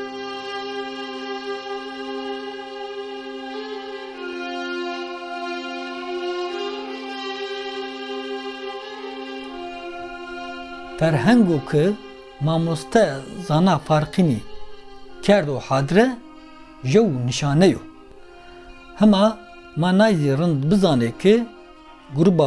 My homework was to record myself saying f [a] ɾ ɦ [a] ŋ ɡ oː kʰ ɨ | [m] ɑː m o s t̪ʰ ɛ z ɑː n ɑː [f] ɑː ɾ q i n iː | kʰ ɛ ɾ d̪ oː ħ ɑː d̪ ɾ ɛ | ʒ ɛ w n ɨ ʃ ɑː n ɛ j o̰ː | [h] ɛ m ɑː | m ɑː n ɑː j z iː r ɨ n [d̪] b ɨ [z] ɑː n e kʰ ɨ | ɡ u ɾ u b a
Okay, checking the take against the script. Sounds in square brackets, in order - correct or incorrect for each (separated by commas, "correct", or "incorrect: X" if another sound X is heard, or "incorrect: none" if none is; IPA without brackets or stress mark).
incorrect: ɛ, incorrect: ɛ, correct, correct, correct, correct, correct